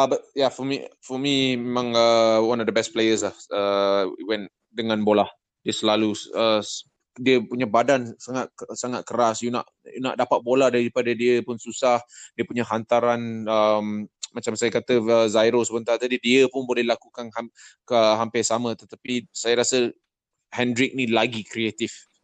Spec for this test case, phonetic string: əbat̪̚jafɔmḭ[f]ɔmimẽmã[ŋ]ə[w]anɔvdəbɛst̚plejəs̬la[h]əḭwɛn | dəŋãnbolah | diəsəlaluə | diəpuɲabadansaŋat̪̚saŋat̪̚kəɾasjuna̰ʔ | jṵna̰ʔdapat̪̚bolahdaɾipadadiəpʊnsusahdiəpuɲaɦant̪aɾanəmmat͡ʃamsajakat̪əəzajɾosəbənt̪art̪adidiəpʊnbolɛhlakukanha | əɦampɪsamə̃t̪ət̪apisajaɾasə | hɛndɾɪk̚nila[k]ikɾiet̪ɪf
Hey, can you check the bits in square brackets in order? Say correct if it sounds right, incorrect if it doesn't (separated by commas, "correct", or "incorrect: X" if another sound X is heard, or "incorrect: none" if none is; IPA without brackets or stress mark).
correct, correct, correct, correct, incorrect: ɡ